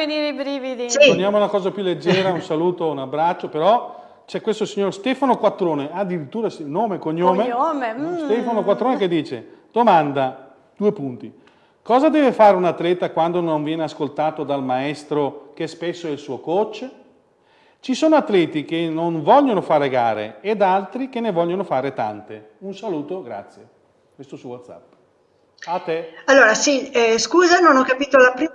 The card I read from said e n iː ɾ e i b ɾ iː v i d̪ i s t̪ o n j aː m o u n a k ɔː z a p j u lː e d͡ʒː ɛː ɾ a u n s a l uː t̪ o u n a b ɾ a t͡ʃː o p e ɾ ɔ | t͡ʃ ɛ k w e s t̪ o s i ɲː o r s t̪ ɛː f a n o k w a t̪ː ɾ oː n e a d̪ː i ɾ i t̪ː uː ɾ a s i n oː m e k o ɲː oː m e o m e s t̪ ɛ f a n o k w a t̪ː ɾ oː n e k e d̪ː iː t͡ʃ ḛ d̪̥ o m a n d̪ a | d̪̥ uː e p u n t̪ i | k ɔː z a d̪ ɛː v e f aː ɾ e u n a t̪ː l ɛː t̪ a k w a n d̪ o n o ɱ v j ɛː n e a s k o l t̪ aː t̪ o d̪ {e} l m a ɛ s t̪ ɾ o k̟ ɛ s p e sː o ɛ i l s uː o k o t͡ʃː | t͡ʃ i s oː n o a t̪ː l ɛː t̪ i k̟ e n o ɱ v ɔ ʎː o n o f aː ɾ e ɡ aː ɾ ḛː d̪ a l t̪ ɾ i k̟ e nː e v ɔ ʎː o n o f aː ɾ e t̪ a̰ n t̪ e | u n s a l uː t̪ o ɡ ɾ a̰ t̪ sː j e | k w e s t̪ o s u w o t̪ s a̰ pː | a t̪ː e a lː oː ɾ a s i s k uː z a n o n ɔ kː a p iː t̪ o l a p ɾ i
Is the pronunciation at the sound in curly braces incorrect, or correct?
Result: incorrect